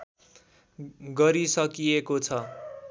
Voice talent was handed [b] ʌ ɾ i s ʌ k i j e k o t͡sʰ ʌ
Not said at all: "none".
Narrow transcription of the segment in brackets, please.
ɡ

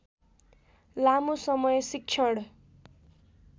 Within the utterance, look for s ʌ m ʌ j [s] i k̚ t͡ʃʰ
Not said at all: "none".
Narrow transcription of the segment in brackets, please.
s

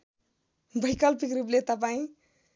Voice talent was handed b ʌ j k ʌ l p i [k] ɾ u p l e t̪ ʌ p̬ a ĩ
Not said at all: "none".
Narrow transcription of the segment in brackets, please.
k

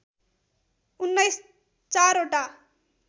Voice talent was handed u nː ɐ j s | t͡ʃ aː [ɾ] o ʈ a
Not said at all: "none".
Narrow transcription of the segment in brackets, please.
ɾ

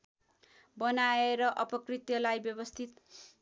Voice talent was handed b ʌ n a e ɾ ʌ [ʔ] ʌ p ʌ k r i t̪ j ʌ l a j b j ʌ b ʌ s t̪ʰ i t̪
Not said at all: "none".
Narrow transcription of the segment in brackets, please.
ʔ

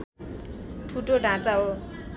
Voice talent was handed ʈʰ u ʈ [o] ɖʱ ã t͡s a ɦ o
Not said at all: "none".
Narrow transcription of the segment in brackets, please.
o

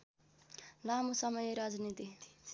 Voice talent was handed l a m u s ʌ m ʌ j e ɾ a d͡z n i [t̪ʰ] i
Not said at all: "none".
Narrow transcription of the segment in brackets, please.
t̪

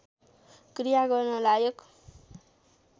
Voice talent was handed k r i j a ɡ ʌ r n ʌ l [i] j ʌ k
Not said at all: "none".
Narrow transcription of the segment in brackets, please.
a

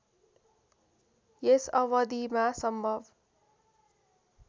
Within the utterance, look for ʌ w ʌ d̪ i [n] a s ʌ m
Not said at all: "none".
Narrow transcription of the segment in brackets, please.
m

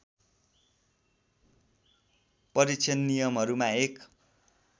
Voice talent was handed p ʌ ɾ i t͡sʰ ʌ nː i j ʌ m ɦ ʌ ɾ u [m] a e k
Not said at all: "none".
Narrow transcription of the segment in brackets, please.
m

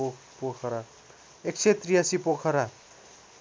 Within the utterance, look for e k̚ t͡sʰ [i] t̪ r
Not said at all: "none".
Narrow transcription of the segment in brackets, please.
e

